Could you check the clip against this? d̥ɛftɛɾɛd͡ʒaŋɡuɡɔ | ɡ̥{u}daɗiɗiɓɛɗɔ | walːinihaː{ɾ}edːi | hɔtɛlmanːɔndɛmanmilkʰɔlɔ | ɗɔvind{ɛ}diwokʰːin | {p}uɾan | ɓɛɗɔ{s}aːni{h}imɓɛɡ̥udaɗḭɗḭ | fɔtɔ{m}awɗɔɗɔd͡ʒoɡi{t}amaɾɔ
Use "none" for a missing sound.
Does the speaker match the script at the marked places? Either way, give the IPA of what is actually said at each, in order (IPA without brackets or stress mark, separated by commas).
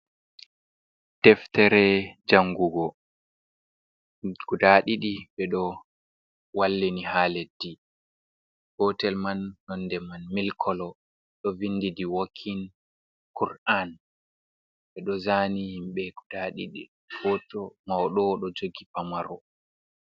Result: u, l, i, k, z, h, m, p